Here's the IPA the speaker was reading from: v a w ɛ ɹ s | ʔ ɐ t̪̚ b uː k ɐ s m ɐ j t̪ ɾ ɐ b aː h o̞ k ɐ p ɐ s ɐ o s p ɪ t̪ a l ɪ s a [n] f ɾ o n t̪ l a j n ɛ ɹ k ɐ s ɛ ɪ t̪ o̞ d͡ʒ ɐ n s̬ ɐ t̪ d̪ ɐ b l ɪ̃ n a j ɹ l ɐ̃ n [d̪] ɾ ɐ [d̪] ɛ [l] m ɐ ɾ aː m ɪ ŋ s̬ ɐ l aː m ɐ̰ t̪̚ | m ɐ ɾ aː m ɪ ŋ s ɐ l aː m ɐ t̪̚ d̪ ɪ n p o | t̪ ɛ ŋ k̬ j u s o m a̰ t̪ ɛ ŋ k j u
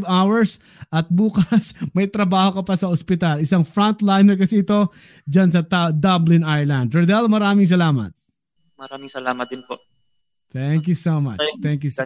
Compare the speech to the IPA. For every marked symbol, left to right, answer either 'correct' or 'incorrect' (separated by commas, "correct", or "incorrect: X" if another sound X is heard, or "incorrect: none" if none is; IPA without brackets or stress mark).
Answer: incorrect: ŋ, correct, correct, correct